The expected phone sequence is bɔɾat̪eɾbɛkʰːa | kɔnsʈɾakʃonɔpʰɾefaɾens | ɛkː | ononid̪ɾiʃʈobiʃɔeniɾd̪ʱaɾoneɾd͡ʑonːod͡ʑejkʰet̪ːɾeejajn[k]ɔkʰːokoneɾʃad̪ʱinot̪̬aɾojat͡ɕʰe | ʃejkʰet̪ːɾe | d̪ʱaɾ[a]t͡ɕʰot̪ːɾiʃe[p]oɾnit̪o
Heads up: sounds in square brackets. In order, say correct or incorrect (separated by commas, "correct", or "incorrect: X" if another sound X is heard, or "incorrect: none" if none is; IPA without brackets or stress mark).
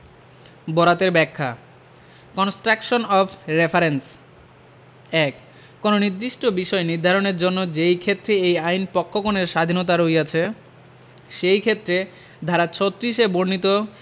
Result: incorrect: p, correct, incorrect: b